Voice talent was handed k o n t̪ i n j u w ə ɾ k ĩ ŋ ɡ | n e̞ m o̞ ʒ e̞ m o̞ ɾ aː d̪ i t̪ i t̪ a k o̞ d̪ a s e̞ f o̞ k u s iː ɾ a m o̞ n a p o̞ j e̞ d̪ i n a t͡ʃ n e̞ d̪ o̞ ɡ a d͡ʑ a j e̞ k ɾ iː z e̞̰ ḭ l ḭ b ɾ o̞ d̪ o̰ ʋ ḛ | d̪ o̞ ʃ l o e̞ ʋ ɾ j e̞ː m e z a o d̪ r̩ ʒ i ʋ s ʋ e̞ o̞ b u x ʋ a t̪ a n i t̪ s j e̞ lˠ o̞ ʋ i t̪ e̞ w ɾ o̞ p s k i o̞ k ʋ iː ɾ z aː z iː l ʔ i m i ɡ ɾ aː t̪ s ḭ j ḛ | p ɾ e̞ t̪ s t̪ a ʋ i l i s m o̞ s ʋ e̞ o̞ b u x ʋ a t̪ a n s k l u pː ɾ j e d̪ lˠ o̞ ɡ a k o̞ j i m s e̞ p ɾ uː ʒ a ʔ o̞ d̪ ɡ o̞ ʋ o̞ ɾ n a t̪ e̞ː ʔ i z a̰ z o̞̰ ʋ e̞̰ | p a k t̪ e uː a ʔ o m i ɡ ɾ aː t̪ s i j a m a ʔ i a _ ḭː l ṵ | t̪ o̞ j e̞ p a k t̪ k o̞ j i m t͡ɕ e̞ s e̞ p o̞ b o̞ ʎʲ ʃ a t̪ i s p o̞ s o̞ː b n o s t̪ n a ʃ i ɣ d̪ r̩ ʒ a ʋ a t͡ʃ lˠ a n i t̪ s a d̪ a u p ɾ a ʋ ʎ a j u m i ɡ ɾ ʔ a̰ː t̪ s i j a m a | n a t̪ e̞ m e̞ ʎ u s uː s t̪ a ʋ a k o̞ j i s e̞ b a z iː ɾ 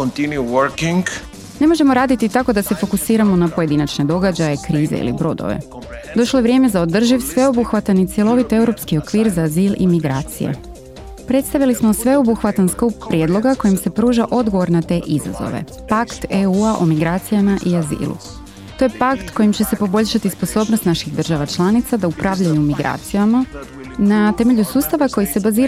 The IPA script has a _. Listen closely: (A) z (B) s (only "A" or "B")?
A